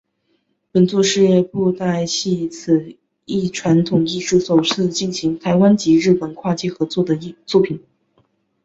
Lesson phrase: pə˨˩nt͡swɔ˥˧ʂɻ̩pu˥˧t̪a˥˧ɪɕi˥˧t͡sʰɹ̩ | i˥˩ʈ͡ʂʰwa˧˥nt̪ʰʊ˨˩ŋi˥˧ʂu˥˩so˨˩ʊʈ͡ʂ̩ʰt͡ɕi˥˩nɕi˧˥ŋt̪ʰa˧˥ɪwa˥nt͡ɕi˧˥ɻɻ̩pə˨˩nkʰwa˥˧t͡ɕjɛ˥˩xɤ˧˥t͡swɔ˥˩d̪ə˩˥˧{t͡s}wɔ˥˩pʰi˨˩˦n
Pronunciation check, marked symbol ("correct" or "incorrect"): correct